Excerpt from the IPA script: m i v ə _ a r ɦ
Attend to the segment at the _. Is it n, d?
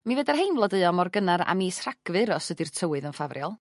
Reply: d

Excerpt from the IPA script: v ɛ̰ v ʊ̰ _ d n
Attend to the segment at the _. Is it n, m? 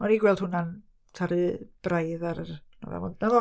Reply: n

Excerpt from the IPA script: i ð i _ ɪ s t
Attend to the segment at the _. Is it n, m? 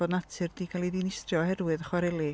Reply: n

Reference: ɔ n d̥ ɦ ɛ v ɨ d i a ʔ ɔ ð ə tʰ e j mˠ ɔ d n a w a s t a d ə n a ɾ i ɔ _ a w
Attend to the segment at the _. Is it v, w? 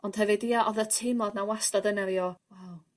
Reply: w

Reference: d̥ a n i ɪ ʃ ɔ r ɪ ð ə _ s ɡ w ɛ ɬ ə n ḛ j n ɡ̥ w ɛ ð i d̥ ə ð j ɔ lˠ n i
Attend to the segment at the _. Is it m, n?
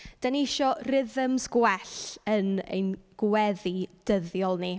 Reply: m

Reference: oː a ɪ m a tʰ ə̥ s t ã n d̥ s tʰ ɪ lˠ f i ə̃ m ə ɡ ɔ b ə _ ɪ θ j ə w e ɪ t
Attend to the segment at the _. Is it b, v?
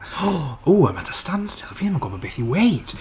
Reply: b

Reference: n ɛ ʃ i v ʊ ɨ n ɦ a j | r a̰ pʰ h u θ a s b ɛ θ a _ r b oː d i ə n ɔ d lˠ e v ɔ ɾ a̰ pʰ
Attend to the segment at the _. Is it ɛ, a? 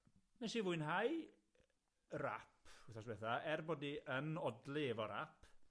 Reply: ɛ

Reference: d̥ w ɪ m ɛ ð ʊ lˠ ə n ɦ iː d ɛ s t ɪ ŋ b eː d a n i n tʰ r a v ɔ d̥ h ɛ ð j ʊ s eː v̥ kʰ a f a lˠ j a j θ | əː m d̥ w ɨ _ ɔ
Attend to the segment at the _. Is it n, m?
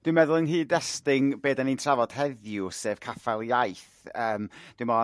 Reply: m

